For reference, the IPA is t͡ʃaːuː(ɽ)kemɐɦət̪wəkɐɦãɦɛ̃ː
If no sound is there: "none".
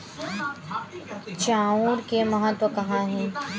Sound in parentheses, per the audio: ɾ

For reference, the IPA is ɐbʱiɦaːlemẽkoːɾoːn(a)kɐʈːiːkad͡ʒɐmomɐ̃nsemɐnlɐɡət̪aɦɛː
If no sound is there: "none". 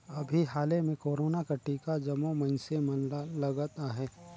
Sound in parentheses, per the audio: a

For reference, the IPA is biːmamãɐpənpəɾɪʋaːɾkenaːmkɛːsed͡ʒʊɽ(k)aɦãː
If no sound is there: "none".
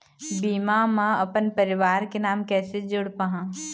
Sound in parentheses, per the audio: p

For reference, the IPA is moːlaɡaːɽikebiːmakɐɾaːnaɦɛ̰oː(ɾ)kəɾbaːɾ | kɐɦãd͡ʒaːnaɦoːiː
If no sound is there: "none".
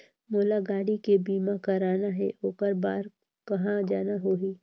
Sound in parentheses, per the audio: none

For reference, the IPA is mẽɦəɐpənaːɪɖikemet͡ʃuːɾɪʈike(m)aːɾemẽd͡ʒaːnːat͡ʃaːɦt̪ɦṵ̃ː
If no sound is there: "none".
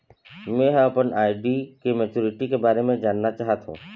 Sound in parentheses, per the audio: b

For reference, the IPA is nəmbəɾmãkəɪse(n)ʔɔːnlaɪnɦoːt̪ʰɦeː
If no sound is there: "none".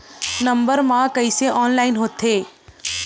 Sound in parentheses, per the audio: none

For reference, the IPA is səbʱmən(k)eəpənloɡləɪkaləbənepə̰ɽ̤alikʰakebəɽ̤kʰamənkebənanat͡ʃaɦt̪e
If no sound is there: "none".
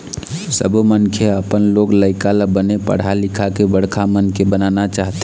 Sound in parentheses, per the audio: kʰ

